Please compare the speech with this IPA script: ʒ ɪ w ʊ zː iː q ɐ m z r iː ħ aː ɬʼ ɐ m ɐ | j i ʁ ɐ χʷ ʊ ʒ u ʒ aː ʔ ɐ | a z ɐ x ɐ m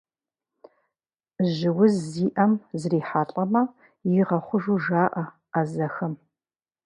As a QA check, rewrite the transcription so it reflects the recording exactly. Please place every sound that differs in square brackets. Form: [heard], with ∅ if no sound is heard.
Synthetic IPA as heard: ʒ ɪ w ʊ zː iː [ʔ] ɐ m z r iː ħ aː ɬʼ ɐ m ɐ | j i ʁ ɐ χʷ ʊ ʒ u ʒ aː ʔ ɐ | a z ɐ x ɐ m